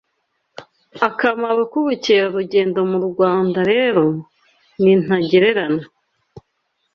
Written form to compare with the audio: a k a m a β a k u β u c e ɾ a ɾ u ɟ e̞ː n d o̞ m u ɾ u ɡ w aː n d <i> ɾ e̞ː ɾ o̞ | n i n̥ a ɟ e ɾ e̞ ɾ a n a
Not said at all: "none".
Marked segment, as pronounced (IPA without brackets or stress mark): a